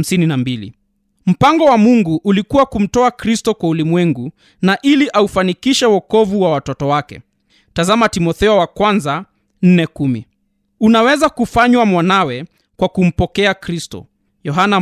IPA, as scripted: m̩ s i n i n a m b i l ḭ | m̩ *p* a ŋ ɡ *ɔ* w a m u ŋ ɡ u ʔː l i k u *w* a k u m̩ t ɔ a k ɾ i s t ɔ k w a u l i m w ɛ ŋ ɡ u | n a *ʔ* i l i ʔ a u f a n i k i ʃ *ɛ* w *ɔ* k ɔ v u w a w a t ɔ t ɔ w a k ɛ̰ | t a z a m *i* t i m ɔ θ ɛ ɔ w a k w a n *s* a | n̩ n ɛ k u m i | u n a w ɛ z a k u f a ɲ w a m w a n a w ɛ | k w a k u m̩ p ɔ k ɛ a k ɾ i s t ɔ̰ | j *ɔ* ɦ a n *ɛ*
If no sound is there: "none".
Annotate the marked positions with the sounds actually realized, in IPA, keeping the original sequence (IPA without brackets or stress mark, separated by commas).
p, ɔ, w, ʔ, ɛ, ɔ, a, z, ɔ, a